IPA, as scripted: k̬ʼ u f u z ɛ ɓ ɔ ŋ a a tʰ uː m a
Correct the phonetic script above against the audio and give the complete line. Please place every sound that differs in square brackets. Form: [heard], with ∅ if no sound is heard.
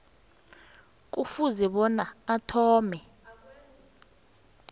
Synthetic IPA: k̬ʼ u f u z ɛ ɓ ɔ [n] a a tʰ [ɔː] m [ɛ]